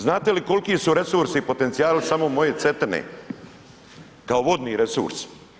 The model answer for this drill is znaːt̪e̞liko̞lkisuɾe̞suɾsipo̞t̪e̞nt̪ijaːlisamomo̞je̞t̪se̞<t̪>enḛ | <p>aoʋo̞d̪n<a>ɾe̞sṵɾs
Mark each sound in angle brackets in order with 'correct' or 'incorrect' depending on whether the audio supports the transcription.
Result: correct, incorrect, incorrect

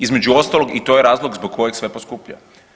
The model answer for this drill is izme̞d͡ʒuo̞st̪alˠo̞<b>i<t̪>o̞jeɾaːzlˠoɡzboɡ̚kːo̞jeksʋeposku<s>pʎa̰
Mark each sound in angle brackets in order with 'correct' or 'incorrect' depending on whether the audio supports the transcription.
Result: incorrect, correct, incorrect

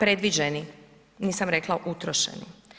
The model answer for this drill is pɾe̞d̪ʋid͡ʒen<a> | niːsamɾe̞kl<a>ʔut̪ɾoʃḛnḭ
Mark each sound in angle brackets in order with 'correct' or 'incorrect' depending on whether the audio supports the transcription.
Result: incorrect, correct

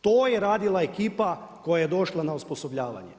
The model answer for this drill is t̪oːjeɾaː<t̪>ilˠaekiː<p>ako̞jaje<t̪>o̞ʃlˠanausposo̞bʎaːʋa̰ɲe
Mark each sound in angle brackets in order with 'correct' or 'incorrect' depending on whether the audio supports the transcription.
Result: incorrect, correct, incorrect

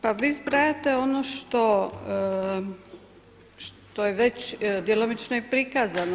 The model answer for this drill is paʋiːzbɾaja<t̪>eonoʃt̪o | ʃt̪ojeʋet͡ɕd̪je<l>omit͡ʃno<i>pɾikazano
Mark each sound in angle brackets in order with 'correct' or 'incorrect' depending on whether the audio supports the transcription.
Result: correct, correct, correct

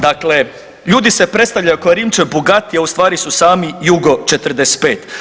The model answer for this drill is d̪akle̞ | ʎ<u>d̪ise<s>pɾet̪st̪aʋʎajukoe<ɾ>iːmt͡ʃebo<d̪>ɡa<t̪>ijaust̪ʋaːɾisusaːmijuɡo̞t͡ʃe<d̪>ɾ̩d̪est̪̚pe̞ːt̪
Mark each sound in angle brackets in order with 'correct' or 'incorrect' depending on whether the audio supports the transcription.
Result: incorrect, incorrect, correct, incorrect, correct, incorrect

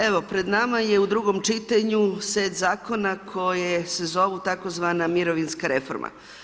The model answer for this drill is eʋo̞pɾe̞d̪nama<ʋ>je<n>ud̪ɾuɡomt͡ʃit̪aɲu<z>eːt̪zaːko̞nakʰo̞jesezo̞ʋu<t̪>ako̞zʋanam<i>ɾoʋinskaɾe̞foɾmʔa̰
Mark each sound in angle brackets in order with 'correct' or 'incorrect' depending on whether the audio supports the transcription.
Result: incorrect, incorrect, incorrect, correct, correct

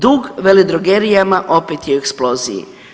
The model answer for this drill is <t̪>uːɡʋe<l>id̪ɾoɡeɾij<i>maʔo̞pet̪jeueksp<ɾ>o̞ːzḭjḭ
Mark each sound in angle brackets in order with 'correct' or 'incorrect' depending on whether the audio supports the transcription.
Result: incorrect, correct, incorrect, incorrect

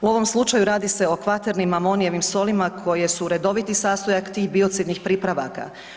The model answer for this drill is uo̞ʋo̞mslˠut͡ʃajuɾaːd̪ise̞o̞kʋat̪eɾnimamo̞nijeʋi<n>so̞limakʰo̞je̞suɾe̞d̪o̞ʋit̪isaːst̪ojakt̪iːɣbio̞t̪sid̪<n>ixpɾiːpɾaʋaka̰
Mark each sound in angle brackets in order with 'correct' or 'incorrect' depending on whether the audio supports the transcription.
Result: incorrect, correct

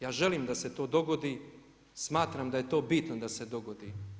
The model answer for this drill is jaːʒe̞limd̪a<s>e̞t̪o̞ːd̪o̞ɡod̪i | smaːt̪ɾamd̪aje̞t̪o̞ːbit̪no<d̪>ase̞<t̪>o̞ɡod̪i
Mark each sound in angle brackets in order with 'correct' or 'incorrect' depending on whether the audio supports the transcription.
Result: correct, correct, incorrect

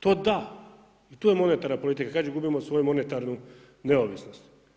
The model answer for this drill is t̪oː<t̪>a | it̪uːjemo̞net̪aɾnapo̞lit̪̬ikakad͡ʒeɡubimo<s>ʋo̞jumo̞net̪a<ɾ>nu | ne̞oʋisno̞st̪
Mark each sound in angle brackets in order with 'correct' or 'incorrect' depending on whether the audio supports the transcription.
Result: incorrect, correct, correct

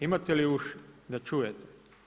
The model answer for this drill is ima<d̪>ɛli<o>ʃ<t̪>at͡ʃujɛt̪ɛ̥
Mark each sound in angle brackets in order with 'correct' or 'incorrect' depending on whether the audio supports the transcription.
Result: incorrect, incorrect, incorrect

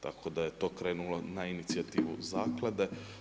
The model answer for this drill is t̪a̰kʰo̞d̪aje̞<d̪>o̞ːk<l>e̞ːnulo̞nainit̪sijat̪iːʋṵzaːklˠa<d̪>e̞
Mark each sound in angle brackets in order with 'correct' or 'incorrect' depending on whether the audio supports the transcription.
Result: incorrect, incorrect, correct

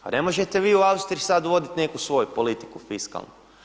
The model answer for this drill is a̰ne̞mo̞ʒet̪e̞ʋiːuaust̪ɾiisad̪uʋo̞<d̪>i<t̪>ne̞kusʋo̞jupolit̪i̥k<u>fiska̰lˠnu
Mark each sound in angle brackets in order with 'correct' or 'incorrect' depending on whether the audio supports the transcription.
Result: correct, correct, correct

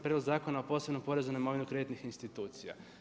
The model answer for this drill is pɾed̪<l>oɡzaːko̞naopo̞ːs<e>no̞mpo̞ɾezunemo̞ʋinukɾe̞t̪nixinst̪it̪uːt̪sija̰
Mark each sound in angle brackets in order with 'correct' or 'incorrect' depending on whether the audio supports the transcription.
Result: correct, correct

